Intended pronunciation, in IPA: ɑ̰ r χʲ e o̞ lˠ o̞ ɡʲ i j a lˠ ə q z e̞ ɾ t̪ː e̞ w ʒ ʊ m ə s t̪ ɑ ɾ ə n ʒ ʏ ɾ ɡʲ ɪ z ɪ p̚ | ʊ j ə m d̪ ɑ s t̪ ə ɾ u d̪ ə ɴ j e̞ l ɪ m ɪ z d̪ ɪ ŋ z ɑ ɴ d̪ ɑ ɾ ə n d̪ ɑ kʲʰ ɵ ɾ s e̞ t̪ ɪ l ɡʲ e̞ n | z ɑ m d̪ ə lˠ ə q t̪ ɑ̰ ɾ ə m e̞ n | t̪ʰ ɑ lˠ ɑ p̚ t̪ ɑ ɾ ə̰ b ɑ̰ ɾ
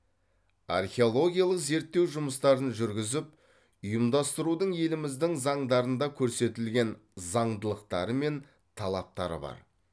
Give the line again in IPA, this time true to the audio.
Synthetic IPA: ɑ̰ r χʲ e o̞ lˠ o̞ ɡʲ i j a lˠ ə q z e̞ ɾ t̪ː e̞ w ʒ ʊ m ə s t̪ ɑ ɾ ə n ʒ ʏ ɾ ɡʲ ɪ z ɪ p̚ | ʊ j ə m d̪ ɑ s t̪ ə ɾ u d̪ ə ɴ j e̞ l ɪ m ɪ z d̪ ɪ ŋ z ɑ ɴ d̪ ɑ ɾ ə n d̪ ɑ kʲʰ ɵ ɾ s e̞ t̪ ɪ l ɡʲ e̞ n | z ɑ ɴ d̪ ə lˠ ə q t̪ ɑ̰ ɾ ə m e̞ n | t̪ʰ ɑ lˠ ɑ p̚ t̪ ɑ ɾ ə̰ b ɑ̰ ɾ

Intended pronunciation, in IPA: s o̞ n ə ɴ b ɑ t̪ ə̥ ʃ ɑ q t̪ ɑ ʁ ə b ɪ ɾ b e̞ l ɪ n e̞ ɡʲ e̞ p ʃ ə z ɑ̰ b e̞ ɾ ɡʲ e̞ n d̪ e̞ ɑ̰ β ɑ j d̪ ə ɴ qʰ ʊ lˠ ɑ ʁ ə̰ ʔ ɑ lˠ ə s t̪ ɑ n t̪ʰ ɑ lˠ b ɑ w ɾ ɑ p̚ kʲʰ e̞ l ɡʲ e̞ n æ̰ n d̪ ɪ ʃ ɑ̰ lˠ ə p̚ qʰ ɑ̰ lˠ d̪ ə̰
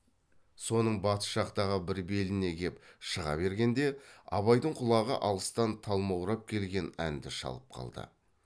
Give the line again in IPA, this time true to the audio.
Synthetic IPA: s o̞ n ə ɴ b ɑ t̪ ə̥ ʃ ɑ q t̪ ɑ ʁ ə b ɪ ɾ b e̞ l ɪ n e̞ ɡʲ e̞ p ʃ ə ʁ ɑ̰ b e̞ ɾ ɡʲ e̞ n d̪ e̞ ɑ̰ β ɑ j d̪ ə ɴ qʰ ʊ lˠ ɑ ʁ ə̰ ʔ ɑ lˠ ə s t̪ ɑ n t̪ʰ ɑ lˠ m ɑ w ɾ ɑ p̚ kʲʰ e̞ l ɡʲ e̞ n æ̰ n d̪ ɪ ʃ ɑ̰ lˠ ə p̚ qʰ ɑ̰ lˠ d̪ ə̰

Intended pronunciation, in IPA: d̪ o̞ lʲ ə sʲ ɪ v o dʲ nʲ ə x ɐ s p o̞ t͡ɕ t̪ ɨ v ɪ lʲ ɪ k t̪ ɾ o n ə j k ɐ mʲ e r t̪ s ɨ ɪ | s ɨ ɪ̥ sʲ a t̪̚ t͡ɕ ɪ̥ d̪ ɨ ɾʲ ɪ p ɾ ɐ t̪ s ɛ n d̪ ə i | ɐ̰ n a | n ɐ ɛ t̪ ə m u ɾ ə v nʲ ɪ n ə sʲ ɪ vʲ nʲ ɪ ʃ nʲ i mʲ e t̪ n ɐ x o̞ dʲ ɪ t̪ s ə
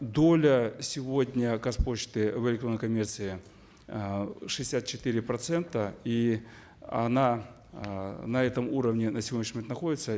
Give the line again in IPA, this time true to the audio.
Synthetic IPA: d̪ o̞ lʲ ə sʲ ɪ v o dʲ nʲ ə k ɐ s p o̞ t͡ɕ t̪ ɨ v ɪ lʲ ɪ k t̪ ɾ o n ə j k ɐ mʲ e r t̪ s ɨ ɪ | ʂ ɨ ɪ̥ sʲ a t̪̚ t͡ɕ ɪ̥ t̪ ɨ ɾʲ ɪ p ɾ ɐ t̪ s ɛ n t̪ ə i | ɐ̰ n a | n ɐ ɛ t̪ ə m u ɾ ə v nʲ ɪ n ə sʲ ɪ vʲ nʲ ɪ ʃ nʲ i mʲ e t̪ n ɐ x o̞ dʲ ɪ t̪ s ə

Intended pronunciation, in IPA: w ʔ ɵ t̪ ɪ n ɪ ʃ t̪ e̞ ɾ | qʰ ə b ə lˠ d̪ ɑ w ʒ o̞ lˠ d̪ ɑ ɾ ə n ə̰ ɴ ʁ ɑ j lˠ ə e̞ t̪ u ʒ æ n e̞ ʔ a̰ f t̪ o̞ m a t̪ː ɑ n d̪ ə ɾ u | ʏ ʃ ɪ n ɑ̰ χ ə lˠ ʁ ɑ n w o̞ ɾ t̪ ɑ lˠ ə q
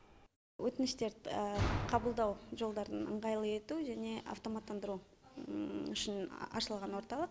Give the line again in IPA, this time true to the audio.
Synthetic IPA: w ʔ ɵ t̪ ɪ n ɪ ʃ t̪ e̞ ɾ | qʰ ɑ b ə lˠ d̪ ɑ w ʒ o̞ lˠ d̪ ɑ ɾ ə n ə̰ ɴ ʁ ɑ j lˠ ə e̞ t̪ u ʒ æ n e̞ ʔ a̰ f t̪ o̞ m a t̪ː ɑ n d̪ ə ɾ u | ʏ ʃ ɪ n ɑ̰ ʃ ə lˠ ʁ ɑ n w o̞ ɾ t̪ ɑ lˠ ə q

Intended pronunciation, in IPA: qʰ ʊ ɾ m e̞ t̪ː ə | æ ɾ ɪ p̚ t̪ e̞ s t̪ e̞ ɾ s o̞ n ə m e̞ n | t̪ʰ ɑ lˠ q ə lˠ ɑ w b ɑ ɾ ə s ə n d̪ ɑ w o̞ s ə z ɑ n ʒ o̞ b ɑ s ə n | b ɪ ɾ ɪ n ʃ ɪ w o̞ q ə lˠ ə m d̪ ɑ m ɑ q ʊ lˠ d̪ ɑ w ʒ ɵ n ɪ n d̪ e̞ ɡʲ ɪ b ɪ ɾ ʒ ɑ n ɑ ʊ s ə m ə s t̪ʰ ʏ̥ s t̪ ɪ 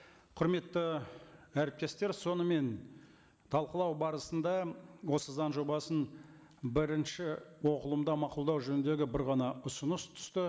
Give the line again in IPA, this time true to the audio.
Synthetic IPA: qʰ ʊ ɾ m e̞ t̪ː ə | æ ɾ ɪ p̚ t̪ e̞ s t̪ e̞ ɾ s o̞ n ə m e̞ n | t̪ʰ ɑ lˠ q ə lˠ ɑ w b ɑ ɾ ə s ə n d̪ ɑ w o̞ s ə z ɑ n ʒ o̞ b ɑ s ə n | b ɪ ɾ ɪ n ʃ ɪ w o̞ q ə lˠ ə m d̪ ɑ m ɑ q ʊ lˠ d̪ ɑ w ʒ ɵ n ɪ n d̪ e̞ ɡʲ ɪ b ɪ ɾ ʁ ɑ n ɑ ʊ s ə n ə s t̪ʰ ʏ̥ s t̪ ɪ

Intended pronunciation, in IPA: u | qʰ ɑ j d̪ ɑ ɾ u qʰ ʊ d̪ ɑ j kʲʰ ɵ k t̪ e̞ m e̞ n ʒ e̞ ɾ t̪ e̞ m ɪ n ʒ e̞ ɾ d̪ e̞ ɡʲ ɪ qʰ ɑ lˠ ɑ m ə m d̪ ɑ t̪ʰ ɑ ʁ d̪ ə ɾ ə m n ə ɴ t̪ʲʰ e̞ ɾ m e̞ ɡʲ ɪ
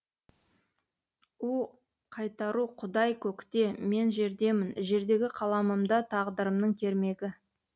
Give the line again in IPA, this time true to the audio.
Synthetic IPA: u | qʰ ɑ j t̪ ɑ ɾ u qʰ ʊ d̪ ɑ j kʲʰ ɵ k t̪ e̞ m e̞ n ʒ e̞ ɾ d̪ e̞ m ɪ n ʒ e̞ ɾ d̪ e̞ ɡʲ ɪ qʰ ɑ lˠ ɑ m ə m d̪ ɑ t̪ʰ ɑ ʁ d̪ ə ɾ ə m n ə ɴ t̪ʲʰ e̞ ɾ m e̞ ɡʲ ɪ

